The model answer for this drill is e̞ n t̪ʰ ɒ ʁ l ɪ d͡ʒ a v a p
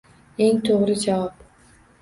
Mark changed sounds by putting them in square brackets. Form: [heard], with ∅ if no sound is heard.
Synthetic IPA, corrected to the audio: e̞ [ŋ] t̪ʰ [o] ʁ [ɾ] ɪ d͡ʒ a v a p